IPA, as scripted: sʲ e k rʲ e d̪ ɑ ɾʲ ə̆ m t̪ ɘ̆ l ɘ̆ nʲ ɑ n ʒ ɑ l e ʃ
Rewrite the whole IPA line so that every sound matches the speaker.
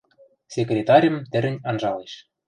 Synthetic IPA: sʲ e k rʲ e t̪ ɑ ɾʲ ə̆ m t̪ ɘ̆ ɾ ɘ̆ nʲ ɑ n ʒ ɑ l e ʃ